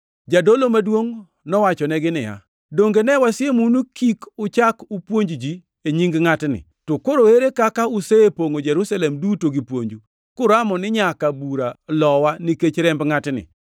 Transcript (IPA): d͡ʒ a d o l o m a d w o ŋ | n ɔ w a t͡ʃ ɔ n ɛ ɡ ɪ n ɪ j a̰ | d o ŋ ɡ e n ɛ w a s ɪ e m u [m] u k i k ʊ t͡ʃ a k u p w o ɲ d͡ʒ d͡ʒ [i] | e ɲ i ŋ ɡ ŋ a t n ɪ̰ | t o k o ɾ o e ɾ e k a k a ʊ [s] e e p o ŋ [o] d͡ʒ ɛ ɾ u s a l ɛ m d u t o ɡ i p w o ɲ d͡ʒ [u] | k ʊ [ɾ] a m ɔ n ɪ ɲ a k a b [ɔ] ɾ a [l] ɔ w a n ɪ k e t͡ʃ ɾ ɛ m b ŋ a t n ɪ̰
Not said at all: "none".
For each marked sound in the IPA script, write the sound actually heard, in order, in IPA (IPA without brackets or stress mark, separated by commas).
n, i, s, o, u, ɾ, u, l